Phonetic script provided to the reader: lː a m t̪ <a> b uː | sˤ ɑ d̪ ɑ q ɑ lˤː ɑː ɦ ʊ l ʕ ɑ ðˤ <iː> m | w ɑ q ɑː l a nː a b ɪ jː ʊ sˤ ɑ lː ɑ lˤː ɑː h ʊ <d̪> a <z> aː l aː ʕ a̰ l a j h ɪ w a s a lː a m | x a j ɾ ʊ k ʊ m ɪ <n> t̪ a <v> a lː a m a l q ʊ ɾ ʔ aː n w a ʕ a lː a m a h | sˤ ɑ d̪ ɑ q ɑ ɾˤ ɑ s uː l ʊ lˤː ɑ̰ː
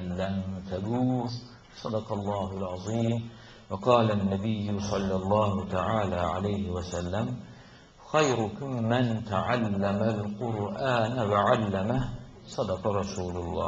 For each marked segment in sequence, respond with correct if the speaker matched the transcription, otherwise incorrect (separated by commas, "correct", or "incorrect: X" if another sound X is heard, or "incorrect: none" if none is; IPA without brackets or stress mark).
correct, correct, incorrect: t̪, incorrect: ʕ, correct, incorrect: ʕ